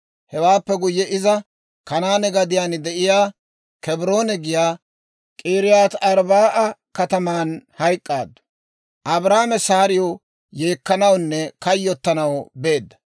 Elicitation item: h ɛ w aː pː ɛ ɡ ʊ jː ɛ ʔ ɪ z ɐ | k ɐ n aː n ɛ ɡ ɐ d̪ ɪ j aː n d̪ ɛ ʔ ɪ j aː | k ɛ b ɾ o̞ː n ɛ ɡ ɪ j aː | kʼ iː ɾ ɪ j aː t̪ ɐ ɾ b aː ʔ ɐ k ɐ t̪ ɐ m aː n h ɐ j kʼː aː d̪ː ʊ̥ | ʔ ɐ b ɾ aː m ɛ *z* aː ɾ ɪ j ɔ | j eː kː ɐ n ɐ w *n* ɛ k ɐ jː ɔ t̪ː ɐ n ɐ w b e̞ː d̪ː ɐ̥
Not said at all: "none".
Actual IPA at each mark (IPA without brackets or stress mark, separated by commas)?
s, nː